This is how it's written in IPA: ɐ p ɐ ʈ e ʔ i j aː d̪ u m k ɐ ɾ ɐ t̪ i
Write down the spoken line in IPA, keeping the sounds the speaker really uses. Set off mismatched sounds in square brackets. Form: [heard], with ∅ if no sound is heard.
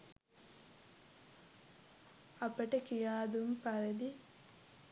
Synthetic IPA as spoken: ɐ p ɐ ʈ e [k] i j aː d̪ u m [p] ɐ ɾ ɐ [d̪] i